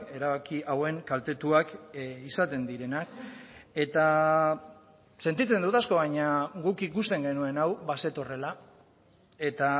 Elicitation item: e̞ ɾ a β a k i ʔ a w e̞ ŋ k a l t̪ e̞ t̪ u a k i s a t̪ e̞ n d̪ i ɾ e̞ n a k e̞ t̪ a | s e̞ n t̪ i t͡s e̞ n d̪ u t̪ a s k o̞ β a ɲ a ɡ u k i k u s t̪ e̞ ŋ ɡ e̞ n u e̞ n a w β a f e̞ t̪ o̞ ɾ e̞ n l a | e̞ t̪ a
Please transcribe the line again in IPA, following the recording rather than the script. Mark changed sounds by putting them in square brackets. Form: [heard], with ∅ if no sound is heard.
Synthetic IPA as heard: e̞ ɾ a β a k i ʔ a w e̞ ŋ k a l t̪ e̞ t̪ u a k i s a t̪ e̞ n d̪ i ɾ e̞ n a k e̞ t̪ a | s e̞ n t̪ i t͡s e̞ n d̪ u t̪ a s k o̞ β a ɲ a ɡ u k i k u s t̪ e̞ ŋ ɡ e̞ n u e̞ n a w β a [s] e̞ t̪ o̞ [r] e̞ [∅] l a | e̞ t̪ a